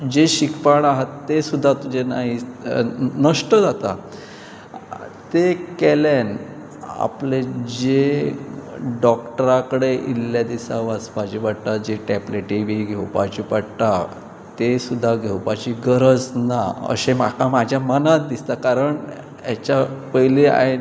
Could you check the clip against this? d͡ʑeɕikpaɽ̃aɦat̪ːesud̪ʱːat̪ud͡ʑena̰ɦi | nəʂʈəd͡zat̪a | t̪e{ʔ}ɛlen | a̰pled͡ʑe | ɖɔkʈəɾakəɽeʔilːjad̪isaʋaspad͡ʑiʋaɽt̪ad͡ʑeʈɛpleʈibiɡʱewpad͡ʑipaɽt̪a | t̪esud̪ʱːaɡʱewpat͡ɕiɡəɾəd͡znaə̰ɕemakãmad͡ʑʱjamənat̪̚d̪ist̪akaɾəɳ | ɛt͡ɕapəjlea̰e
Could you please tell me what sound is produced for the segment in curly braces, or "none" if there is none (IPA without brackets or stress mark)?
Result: k